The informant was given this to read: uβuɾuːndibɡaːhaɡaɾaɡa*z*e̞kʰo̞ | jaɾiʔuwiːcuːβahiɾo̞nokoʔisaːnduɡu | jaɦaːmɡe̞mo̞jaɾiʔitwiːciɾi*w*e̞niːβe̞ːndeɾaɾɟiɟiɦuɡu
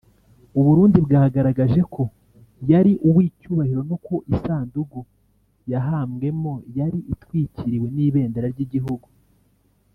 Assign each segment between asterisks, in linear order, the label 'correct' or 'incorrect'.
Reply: incorrect: ʒ, correct

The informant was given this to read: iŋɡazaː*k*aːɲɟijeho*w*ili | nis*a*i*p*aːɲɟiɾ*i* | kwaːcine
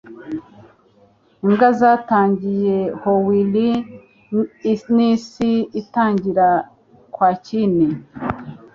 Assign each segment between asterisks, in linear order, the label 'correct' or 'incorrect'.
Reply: incorrect: t, correct, incorrect: i, incorrect: t, incorrect: a

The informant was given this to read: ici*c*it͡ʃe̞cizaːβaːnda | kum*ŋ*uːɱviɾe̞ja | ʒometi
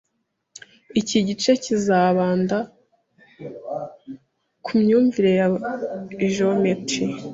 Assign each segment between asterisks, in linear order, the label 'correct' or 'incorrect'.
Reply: incorrect: ɟ, incorrect: ɲ

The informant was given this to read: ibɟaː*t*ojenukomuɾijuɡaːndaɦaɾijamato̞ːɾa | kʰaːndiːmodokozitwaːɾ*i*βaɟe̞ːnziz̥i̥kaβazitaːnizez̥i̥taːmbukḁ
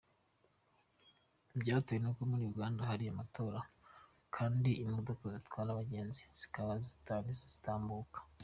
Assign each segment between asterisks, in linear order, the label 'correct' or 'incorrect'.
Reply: correct, incorrect: a

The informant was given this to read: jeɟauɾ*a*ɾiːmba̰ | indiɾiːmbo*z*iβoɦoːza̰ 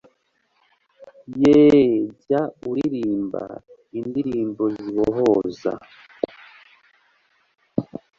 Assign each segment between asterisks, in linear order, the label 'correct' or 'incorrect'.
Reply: incorrect: i, correct

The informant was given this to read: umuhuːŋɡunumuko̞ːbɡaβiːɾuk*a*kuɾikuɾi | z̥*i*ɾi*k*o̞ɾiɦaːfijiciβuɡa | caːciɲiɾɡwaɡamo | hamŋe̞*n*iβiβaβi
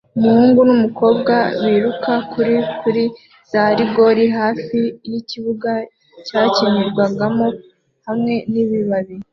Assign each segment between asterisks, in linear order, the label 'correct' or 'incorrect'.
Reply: correct, incorrect: a, incorrect: ɡ, correct

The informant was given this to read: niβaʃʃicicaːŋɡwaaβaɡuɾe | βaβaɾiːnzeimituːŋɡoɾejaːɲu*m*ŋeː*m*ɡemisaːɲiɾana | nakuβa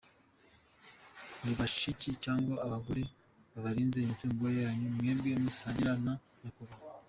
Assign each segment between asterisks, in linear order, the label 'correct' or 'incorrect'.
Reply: correct, correct

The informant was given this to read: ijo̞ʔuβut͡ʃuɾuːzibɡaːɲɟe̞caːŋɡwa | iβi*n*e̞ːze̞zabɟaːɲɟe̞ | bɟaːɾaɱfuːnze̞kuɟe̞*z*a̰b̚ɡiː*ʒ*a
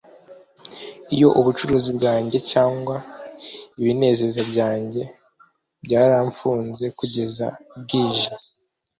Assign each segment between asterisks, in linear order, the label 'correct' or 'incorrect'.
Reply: correct, correct, correct

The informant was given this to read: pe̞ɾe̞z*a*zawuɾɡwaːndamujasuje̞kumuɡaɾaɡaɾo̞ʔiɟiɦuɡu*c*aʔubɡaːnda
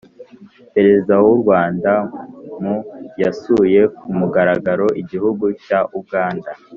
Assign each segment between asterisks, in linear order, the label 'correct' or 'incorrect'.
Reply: incorrect: i, correct

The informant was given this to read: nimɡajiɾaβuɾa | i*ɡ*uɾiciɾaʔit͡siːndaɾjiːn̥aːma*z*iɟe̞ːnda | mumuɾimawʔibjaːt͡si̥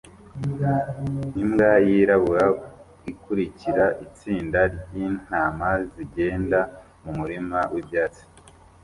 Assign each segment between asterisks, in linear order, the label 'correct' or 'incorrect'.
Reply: incorrect: k, correct

